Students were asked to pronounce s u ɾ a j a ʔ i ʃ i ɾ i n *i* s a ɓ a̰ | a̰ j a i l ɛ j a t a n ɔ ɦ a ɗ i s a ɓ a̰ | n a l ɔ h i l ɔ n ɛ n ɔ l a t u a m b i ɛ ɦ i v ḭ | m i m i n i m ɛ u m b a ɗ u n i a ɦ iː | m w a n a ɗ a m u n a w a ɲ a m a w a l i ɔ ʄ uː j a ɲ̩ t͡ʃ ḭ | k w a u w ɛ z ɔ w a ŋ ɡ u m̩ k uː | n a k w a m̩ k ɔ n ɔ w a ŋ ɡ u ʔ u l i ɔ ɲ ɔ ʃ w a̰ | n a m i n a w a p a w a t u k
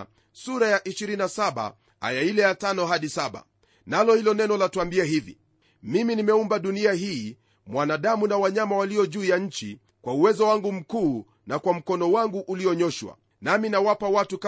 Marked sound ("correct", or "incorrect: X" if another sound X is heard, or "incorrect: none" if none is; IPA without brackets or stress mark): incorrect: a